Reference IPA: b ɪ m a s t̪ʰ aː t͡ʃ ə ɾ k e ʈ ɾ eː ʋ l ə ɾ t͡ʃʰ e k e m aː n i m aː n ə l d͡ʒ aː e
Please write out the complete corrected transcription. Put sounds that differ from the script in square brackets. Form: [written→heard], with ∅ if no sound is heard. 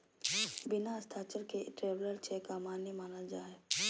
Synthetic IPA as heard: b ɪ [m→n] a s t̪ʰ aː t͡ʃ ə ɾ k e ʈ ɾ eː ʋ l ə ɾ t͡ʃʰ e k [e→a] m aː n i m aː n ə l d͡ʒ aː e

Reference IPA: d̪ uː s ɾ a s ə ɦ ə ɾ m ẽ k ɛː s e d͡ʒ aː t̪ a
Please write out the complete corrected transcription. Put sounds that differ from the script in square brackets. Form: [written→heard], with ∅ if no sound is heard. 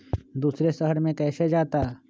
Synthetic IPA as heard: d̪ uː s ɾ [a→e] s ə ɦ ə ɾ m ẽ k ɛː s e d͡ʒ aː t̪ a

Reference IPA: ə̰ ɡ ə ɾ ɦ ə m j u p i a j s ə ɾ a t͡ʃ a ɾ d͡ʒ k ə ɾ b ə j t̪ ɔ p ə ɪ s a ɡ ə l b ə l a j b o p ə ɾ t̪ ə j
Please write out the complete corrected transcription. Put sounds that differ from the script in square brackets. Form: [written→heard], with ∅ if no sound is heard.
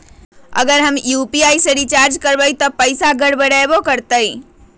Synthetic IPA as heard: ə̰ ɡ ə ɾ ɦ ə m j u p i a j s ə ɾ [a→i] t͡ʃ a ɾ d͡ʒ k ə ɾ b ə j t̪ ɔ p ə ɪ s a ɡ ə [l→ɽ] b ə [l→ɽ] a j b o [p→k] ə ɾ t̪ ə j

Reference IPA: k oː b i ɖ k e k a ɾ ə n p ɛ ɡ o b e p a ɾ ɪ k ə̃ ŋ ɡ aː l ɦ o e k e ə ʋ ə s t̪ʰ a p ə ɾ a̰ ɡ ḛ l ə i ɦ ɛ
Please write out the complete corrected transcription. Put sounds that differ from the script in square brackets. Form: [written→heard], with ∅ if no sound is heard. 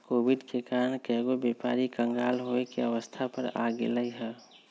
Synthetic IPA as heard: k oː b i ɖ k e k a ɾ ə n [p→k] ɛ ɡ o b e p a ɾ [ɪ→i] k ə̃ ŋ ɡ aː l ɦ o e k e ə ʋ ə s t̪ʰ a p ə ɾ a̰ ɡ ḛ l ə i ɦ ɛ

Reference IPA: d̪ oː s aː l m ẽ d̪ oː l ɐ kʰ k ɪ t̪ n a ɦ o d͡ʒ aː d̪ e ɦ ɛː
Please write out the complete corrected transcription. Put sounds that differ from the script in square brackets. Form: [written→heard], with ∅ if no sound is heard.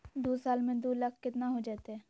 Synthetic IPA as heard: d̪ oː s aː l m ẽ d̪ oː l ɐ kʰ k ɪ t̪ n a ɦ o d͡ʒ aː [d̪→t̪] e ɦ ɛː

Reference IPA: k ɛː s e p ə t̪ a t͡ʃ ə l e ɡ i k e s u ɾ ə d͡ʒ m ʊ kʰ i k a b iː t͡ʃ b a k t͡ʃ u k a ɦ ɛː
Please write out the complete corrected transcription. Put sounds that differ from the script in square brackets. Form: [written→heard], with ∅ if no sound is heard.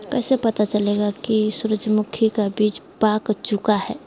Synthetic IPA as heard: k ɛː s e p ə t̪ a t͡ʃ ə l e ɡ [i→a] k [e→i] s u ɾ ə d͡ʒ m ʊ kʰ i k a b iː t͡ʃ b a k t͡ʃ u k a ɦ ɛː

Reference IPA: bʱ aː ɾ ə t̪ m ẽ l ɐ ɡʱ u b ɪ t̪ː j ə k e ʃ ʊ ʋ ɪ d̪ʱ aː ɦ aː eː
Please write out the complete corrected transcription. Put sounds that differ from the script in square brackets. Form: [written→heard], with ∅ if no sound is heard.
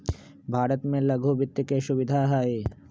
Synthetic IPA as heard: bʱ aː ɾ ə t̪ m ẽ l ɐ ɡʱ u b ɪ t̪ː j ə k e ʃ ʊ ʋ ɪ d̪ʱ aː ɦ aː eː

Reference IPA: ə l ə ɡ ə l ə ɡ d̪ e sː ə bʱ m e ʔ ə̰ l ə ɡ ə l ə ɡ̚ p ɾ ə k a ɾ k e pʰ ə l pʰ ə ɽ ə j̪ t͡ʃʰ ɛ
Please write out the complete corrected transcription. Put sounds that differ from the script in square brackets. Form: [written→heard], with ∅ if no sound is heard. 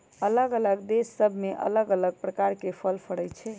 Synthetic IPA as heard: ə l ə ɡ ə l ə ɡ d̪ e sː ə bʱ m e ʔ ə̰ l ə ɡ ə l ə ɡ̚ p ɾ ə k a ɾ k e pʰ ə l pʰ ə ɽ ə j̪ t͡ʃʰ ɛ

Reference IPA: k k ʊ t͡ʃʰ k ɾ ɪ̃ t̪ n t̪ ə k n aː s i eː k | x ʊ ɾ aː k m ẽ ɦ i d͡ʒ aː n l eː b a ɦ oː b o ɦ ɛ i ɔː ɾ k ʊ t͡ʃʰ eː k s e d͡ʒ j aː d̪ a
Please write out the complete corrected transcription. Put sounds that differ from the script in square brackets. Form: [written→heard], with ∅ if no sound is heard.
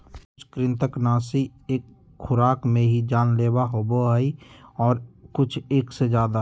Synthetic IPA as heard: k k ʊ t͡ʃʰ k ɾ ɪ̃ [t̪→∅] n t̪ ə k n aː s i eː k | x ʊ ɾ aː k m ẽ ɦ i d͡ʒ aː n l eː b a ɦ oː b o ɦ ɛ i ɔː ɾ k ʊ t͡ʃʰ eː k s e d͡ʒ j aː d̪ a

